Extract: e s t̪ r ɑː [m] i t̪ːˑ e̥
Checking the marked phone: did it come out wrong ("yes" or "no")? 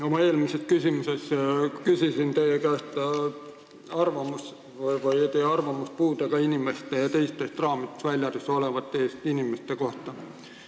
no